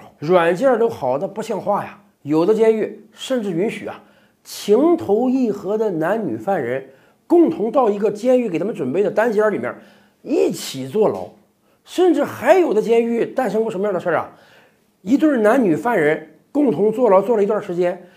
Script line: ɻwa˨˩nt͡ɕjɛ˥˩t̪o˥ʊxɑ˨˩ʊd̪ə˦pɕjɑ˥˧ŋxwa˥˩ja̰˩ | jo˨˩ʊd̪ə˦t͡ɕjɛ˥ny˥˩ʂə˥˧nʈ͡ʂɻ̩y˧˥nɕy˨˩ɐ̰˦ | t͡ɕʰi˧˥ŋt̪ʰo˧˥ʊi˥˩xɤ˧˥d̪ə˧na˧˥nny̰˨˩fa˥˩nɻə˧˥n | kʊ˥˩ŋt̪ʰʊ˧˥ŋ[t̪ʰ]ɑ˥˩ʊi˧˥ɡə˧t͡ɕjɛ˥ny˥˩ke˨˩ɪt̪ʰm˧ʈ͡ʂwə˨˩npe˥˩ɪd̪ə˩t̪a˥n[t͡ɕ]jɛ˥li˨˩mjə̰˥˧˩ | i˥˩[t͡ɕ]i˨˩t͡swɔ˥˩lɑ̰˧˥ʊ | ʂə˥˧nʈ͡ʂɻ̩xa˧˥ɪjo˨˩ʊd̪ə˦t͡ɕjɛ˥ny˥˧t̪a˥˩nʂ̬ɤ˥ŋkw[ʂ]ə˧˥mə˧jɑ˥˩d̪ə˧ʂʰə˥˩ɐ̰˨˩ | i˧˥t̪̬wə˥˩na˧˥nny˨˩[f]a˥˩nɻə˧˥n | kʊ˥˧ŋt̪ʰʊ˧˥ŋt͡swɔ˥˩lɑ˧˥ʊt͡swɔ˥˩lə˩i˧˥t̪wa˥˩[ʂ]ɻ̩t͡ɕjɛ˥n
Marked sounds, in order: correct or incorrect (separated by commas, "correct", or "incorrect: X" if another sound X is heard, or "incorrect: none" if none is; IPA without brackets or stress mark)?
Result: incorrect: t̪, correct, incorrect: t͡ɕʰ, correct, correct, correct